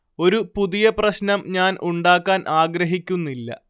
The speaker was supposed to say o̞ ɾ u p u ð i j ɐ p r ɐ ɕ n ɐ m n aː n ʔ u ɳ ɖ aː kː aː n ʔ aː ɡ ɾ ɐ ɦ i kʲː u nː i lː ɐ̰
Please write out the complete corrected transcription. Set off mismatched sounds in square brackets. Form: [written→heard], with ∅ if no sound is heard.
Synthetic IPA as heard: o̞ ɾ u p u ð i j ɐ p r ɐ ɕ n ɐ m [n→ɲ] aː n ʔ u ɳ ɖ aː kː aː n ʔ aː ɡ ɾ ɐ ɦ i kʲː u nː i lː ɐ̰